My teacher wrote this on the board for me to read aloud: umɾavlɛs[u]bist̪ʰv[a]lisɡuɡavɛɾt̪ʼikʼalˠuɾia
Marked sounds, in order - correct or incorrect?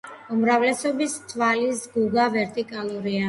incorrect, correct

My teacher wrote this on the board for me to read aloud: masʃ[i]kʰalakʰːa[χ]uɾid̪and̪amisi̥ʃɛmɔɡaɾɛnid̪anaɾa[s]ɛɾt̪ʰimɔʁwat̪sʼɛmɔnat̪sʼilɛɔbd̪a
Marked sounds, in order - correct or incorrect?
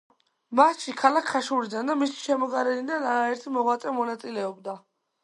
correct, incorrect, incorrect

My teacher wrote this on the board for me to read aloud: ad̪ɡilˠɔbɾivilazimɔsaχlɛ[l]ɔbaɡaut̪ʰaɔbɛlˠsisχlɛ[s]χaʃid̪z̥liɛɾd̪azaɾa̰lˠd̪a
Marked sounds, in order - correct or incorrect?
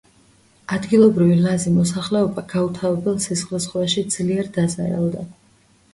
incorrect, correct

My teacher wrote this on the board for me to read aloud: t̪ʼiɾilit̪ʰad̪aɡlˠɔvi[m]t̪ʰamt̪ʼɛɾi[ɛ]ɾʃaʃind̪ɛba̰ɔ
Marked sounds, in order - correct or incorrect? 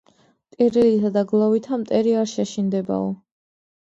incorrect, incorrect

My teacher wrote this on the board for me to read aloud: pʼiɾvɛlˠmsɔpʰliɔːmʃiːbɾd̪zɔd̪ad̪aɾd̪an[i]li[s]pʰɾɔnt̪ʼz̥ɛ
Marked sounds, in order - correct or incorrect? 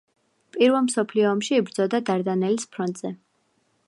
incorrect, correct

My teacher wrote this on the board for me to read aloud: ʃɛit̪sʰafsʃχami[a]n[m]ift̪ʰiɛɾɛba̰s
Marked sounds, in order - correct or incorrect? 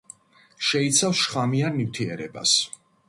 correct, incorrect

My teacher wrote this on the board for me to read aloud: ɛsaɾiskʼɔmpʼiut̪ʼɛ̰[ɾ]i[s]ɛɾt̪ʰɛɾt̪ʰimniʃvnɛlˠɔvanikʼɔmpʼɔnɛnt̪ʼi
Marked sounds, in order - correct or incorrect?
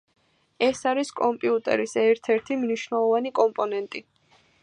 correct, correct

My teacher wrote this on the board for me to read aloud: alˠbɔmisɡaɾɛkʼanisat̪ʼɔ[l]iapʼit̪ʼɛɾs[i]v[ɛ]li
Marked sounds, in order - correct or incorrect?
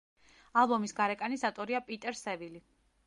incorrect, incorrect, incorrect

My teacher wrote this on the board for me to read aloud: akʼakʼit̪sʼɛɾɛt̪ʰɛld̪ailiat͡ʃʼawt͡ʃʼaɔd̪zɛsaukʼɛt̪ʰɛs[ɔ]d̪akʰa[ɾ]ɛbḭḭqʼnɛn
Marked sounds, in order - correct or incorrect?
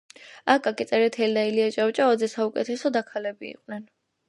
correct, incorrect

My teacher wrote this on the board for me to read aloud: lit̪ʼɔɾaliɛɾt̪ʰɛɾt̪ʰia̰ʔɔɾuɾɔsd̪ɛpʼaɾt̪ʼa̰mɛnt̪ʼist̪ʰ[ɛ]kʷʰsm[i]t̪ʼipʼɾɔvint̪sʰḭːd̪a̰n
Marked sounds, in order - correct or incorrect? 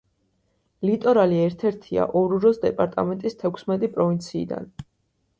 correct, incorrect

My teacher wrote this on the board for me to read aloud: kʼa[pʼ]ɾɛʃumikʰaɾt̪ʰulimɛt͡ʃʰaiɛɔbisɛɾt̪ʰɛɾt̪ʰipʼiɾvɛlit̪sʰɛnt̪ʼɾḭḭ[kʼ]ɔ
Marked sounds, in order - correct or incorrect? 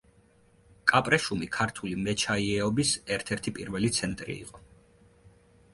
correct, incorrect

